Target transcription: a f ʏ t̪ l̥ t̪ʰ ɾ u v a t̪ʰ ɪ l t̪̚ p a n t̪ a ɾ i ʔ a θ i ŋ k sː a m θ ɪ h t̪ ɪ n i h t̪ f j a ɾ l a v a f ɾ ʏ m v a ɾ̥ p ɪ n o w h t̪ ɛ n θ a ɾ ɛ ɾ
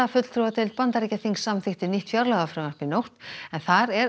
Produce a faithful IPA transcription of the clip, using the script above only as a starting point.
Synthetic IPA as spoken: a f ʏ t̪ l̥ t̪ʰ ɾ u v a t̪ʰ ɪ l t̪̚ p a n t̪ a ɾ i c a θ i ŋ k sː a m θ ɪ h t̪ ɪ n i h t̪ f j a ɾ l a ɣ a f ɾ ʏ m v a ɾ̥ p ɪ n o w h t̪ ɛ n θ a ɾ ɛ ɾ